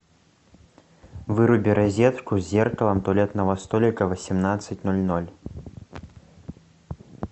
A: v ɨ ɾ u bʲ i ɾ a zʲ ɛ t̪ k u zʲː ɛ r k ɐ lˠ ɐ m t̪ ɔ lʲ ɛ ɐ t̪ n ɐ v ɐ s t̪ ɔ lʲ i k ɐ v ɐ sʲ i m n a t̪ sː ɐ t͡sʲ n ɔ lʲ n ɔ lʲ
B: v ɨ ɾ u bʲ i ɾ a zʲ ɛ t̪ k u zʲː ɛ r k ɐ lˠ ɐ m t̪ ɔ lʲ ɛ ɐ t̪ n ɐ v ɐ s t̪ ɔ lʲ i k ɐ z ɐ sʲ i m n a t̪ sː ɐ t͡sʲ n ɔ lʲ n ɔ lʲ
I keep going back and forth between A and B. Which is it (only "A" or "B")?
A